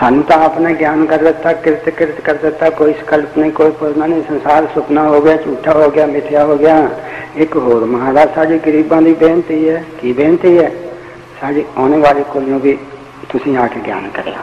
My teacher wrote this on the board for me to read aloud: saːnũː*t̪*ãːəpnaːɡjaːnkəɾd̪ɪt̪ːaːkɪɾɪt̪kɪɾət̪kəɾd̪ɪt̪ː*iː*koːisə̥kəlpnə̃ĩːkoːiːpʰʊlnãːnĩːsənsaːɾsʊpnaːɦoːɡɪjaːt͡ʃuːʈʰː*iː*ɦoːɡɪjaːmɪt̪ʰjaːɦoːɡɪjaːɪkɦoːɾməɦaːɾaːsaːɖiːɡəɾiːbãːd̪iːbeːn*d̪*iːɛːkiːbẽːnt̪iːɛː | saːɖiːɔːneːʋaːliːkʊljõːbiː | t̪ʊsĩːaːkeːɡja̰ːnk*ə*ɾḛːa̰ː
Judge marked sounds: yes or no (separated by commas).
yes, no, no, no, yes